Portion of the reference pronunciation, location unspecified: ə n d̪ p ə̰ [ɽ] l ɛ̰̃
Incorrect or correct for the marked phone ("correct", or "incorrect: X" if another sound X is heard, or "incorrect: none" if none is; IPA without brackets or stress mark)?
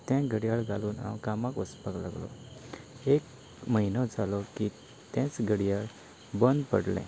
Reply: correct